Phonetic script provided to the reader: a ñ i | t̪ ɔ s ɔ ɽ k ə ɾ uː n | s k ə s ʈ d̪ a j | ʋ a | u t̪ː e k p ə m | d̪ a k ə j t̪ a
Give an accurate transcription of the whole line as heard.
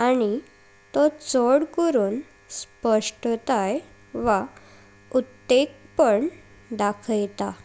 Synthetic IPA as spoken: a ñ i | t̪ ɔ t͡s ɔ ɽ k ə ɾ uː n | s p ə ʂ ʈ t̪ a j | ʋ a | u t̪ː e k p ə ɳ | d̪ a kʰ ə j t̪ a

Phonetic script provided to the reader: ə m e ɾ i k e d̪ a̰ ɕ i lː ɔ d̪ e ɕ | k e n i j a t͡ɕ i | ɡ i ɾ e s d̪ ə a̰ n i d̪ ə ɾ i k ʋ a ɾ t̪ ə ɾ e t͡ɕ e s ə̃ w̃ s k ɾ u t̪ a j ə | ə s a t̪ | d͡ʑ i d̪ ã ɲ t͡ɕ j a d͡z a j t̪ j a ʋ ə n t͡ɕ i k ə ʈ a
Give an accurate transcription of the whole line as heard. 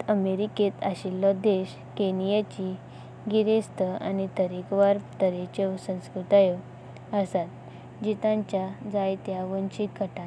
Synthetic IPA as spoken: ə m e ɾ i k e t̪ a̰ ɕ i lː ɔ d̪ e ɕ | k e n i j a t͡ɕ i | ɡ i ɾ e s t̪ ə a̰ n i t̪ ə ɾ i k ʋ a ɾ t̪ ə ɾ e t͡ɕ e s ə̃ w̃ s k ɾ u t̪ a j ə | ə s a t̪ | d͡ʑ i t̪ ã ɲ t͡ɕ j a d͡z a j t̪ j a ʋ ə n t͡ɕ i k ə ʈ a

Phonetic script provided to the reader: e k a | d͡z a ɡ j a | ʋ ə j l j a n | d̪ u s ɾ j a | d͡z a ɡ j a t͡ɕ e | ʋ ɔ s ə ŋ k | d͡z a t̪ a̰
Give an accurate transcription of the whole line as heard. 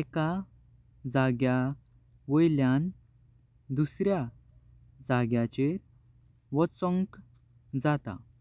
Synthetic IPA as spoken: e k a | d͡z a ɡ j a | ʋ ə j l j a n | d̪ u s ɾ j a | d͡z a ɡ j a t͡ɕ e | ʋ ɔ t͡s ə ŋ k | d͡z a t̪ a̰

